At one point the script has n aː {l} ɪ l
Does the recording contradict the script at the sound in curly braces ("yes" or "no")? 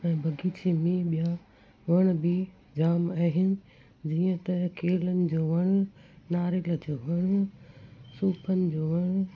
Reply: yes